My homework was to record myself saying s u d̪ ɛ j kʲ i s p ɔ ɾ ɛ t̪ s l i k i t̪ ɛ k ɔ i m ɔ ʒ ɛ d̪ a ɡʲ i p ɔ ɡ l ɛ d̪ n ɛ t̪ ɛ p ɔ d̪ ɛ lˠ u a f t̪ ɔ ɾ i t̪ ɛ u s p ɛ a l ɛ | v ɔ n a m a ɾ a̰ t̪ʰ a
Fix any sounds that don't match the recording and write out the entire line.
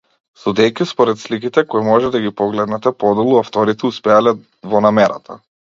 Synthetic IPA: s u d̪ ɛ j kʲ i s p ɔ ɾ ɛ t̪ s l i k i t̪ ɛ k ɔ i m ɔ ʒ ɛ d̪ a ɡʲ i p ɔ ɡ l ɛ d̪ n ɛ t̪ ɛ p ɔ d̪ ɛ lˠ u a f t̪ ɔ ɾ i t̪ ɛ u s p ɛ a l ɛ | v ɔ n a m ɛ ɾ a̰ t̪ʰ a